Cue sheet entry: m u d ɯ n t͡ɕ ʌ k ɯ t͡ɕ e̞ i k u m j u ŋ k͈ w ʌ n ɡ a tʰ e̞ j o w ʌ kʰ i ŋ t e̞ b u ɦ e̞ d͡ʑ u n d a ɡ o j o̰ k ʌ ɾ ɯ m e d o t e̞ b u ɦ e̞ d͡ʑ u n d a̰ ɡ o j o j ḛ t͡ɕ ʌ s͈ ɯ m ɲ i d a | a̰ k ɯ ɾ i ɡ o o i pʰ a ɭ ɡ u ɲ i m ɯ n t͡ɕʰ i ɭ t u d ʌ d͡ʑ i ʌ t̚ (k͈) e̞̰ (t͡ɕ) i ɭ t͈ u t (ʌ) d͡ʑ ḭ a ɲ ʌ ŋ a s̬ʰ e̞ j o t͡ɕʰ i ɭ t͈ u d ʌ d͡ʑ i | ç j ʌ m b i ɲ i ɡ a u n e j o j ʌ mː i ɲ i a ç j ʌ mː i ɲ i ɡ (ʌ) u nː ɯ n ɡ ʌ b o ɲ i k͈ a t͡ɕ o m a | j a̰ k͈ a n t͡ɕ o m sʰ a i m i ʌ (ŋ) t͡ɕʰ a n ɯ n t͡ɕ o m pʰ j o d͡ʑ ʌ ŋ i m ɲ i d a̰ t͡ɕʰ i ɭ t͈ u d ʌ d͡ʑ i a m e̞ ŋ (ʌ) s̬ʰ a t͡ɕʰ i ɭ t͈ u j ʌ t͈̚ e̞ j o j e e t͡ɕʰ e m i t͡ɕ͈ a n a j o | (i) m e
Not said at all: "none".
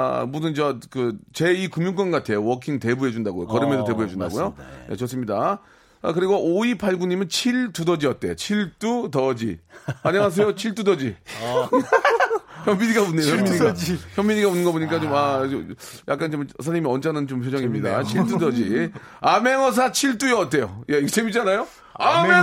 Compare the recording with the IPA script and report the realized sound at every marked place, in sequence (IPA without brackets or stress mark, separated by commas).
t͈, t͡ɕʰ, ʌ, a, n, ʌ, a